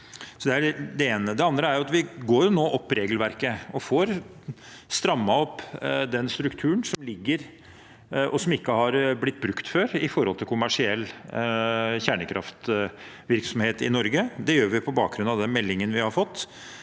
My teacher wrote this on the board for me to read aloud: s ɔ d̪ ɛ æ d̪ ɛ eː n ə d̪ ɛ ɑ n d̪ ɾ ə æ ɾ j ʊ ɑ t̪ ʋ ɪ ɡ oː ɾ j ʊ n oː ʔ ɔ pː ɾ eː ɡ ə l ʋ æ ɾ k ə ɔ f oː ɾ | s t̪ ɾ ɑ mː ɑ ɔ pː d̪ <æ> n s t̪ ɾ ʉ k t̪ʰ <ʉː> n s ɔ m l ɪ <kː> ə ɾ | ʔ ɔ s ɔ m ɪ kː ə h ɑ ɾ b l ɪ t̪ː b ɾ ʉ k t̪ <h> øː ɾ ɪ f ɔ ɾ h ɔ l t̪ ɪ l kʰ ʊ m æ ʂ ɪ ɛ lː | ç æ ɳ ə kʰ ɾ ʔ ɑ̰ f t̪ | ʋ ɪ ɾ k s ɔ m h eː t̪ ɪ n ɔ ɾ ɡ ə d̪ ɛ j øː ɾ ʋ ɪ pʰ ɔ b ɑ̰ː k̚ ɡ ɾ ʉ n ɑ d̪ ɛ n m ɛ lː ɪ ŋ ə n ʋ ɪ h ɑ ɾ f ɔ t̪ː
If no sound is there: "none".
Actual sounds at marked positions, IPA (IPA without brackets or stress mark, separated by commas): ɛ, ʉː, ɡː, f